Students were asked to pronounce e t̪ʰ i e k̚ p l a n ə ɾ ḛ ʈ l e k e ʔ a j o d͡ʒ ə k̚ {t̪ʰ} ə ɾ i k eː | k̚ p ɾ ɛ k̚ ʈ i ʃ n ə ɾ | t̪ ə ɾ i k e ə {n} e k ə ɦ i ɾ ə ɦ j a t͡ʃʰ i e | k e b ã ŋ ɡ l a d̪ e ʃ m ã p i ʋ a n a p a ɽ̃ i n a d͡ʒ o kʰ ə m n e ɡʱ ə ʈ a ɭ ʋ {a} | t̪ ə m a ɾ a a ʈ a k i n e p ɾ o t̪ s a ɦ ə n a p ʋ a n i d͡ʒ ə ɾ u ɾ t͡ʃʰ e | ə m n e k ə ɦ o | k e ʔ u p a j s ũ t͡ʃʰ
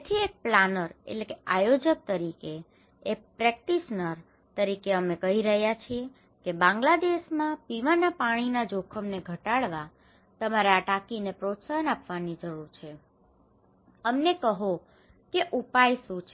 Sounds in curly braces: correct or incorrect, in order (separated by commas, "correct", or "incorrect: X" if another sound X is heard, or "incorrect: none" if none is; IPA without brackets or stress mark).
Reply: incorrect: t̪, incorrect: m, correct